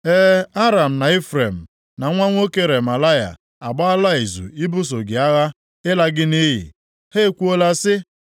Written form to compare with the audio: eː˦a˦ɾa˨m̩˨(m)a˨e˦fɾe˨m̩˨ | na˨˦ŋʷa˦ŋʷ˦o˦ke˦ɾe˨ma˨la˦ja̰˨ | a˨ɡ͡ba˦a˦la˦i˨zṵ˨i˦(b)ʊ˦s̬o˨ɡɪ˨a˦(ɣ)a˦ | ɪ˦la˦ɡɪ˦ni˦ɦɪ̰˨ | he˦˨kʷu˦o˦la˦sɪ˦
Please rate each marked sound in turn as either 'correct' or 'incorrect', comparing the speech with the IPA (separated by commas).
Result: incorrect, correct, correct